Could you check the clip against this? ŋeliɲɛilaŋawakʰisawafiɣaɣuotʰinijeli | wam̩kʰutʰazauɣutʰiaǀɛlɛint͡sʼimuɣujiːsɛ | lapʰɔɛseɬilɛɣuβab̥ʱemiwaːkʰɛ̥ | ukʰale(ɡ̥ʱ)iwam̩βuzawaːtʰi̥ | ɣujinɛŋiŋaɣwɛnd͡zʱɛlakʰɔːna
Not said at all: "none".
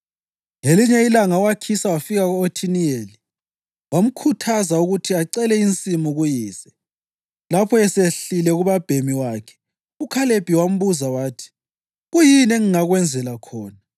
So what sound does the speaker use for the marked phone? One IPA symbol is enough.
b̥ʱ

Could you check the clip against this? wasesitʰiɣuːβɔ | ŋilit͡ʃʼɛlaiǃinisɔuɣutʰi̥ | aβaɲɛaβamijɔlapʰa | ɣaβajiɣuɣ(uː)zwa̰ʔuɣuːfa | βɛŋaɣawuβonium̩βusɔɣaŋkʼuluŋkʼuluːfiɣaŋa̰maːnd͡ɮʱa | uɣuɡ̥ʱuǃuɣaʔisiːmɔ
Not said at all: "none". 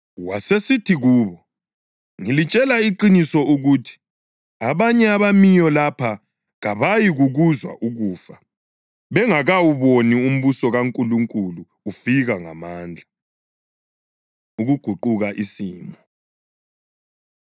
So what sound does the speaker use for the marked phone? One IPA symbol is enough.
u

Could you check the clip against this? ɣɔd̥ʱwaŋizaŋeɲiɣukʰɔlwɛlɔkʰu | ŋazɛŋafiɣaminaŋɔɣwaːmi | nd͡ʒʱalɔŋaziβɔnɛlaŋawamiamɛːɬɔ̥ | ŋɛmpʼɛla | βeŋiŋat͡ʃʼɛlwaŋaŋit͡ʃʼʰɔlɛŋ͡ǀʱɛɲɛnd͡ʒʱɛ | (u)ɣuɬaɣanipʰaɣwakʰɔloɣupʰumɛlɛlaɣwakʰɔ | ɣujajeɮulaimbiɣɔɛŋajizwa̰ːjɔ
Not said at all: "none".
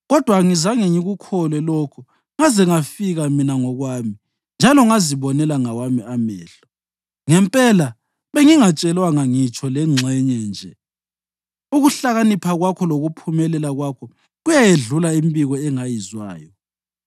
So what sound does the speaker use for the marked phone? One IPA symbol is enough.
u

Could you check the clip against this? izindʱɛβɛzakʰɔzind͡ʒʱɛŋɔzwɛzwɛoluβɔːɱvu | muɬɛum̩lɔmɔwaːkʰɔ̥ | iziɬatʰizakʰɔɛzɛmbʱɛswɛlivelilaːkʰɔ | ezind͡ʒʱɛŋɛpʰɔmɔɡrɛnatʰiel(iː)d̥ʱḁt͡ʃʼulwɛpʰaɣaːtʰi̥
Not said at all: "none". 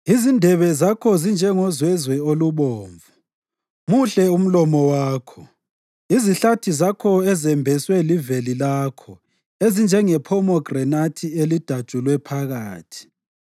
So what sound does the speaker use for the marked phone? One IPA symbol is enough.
i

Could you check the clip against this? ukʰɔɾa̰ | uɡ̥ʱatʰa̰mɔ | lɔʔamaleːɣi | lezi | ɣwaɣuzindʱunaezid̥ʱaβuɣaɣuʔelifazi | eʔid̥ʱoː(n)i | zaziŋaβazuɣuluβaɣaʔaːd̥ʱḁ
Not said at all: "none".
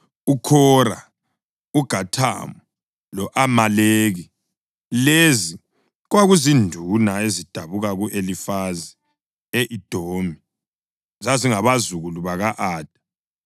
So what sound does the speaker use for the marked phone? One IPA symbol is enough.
m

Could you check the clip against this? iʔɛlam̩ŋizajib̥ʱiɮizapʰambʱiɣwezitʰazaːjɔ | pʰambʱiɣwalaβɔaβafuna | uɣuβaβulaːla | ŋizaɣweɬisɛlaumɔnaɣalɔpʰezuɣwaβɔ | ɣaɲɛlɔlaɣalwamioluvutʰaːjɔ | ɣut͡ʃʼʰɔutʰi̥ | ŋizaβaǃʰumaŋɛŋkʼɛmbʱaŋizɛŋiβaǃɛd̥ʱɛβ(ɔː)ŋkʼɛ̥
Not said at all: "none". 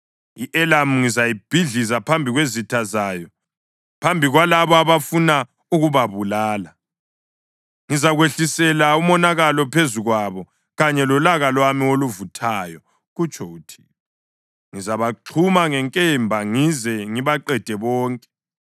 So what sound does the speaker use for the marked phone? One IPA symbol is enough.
ɔː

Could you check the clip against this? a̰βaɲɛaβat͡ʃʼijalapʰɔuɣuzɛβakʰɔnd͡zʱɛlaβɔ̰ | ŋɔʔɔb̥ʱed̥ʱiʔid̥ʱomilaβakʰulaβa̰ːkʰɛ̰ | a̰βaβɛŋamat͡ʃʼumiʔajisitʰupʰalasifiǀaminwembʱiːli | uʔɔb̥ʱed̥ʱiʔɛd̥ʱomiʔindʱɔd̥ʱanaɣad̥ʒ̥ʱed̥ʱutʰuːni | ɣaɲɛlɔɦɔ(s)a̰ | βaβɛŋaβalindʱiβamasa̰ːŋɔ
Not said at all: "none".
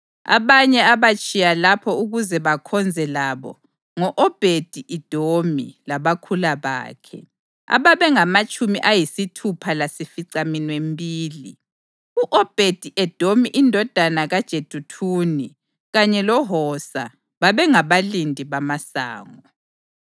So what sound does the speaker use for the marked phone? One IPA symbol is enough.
s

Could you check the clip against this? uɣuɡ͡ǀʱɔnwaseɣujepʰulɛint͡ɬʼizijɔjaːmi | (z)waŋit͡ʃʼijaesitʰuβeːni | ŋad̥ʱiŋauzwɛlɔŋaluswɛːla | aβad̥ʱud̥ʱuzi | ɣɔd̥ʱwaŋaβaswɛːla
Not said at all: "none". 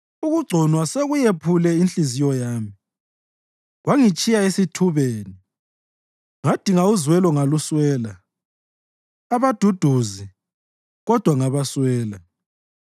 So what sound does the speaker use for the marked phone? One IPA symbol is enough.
ɣ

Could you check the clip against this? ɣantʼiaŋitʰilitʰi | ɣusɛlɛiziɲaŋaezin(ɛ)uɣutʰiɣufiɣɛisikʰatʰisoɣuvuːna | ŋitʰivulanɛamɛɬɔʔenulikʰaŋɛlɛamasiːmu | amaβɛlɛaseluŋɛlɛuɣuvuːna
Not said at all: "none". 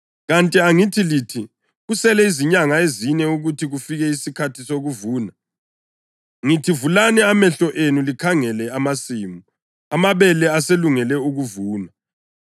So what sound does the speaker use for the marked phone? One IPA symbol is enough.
ɛ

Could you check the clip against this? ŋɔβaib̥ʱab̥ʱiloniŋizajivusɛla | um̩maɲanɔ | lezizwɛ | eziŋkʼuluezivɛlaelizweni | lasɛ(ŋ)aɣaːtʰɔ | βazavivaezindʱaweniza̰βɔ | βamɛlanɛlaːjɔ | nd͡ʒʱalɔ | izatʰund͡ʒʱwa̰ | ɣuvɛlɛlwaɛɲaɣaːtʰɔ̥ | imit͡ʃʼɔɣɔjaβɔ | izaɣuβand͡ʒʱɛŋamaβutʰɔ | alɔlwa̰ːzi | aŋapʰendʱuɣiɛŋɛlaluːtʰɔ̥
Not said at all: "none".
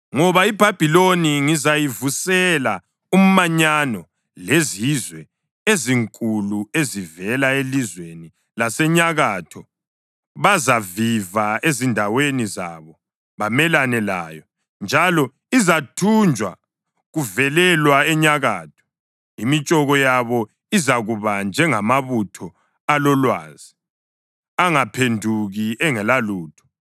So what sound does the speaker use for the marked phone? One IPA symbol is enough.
ɲ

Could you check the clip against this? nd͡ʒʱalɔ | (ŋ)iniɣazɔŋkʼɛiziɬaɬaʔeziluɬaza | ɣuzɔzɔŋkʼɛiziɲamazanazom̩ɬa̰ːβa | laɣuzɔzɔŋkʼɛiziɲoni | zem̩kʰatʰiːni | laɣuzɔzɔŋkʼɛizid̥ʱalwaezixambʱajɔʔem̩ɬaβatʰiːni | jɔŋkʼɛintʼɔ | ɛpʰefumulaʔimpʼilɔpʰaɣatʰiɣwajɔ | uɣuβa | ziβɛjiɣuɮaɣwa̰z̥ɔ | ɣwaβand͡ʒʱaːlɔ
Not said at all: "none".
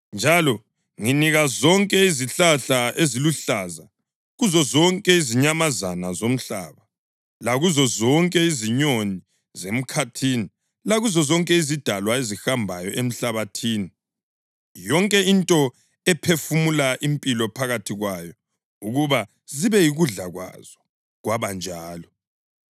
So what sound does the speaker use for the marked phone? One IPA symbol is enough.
ŋ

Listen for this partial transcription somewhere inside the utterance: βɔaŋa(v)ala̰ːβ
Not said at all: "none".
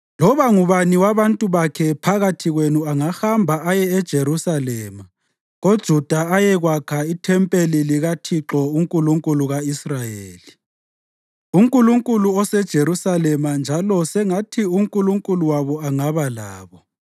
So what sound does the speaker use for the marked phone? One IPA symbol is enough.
β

